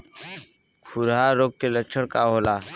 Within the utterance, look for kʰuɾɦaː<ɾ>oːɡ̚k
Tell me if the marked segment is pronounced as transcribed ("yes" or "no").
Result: yes